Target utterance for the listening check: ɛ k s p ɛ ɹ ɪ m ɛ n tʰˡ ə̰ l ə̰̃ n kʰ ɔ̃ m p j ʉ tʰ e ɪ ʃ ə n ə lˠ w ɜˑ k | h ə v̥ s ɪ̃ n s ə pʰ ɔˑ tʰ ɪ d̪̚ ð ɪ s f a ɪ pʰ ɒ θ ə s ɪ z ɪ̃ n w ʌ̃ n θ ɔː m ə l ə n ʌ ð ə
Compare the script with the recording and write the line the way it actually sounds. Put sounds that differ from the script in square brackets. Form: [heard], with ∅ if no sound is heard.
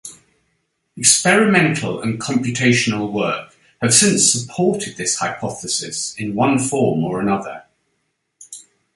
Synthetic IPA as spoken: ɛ k s p ɛ ɹ ɪ m [ɛ̃] n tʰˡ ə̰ l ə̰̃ n kʰ [ɒ̃] m p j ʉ tʰ e ɪ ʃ ə n ə lˠ w ɜˑ k | h ə v̥ s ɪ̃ n s ə pʰ ɔˑ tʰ ɪ d̪̚ ð ɪ s [h] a ɪ pʰ ɒ θ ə s ɪ [s] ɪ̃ n w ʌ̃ n [f] ɔː m ə [ɹ] ə n ʌ ð ə

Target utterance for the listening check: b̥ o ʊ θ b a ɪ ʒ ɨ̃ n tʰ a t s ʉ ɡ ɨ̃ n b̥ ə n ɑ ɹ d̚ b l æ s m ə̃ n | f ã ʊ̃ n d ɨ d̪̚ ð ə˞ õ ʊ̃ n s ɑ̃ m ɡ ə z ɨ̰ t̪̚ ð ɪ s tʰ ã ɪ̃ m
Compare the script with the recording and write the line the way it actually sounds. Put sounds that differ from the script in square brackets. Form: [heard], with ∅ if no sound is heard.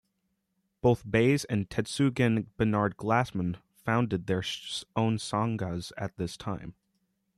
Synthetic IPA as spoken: b̥ o ʊ θ b [e] ɪ [z] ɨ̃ n tʰ [ɛ] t s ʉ ɡ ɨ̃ n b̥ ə n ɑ ɹ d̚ [ɡ] l æ s m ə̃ n | f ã ʊ̃ n d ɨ d̪̚ ð ə˞ õ ʊ̃ n s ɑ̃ [ŋ] ɡ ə z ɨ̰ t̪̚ ð ɪ s tʰ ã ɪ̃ m

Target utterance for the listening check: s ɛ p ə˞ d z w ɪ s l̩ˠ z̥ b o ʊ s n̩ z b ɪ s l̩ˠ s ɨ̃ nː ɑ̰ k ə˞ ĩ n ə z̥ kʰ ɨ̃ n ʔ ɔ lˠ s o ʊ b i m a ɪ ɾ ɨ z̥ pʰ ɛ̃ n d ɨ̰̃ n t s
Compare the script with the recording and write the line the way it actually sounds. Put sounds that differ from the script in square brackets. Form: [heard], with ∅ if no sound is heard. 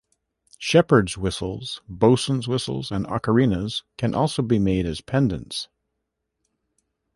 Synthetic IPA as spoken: [ʃ] ɛ p ə˞ d z w ɪ s l̩ˠ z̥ b o ʊ s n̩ z [w] ɪ s l̩ˠ [z] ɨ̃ [n] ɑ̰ k ə˞ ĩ n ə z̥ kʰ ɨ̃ n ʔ ɔ lˠ s o ʊ b i m [e] ɪ ɾ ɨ z̥ pʰ ɛ̃ n d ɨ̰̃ n t s

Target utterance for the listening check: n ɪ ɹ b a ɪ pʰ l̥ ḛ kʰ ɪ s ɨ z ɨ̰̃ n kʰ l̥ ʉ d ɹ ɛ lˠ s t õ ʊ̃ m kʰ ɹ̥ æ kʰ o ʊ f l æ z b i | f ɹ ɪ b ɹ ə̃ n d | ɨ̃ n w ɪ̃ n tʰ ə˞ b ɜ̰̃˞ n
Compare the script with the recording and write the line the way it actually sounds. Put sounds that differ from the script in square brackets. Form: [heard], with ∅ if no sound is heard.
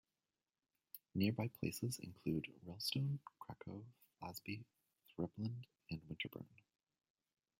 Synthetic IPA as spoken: n ɪ ɹ b a ɪ pʰ l̥ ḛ [∅] ɪ s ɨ z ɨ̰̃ n kʰ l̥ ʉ d ɹ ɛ lˠ s t õ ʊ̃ [n] kʰ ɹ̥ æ kʰ o ʊ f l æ z b i | [θ] ɹ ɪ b [l] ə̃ n d | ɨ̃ n w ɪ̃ n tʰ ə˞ b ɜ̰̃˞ n

